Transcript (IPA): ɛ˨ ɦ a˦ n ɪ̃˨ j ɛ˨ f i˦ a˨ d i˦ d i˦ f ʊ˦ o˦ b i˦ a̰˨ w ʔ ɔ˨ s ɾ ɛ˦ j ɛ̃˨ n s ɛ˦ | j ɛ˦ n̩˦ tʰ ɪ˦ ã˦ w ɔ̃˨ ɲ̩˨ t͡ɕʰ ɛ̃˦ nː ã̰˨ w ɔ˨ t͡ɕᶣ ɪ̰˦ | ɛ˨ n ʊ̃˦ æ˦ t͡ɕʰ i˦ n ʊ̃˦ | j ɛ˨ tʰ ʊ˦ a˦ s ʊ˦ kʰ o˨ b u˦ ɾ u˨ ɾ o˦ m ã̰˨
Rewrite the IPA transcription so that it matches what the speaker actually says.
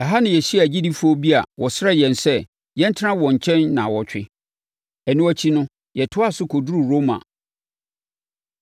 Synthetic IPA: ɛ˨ ɦ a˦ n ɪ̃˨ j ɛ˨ ɕ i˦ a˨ d͡ʑ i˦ d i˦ f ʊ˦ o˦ b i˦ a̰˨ w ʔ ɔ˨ s ɾ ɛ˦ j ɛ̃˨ n s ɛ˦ | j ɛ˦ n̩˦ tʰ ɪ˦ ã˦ w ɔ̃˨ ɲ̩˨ t͡ɕʰ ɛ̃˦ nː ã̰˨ w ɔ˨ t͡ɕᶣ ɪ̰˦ | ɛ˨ n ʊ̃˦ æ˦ t͡ɕʰ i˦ n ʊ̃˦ | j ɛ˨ tʰ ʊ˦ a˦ s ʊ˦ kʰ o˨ d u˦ ɾ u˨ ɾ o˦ m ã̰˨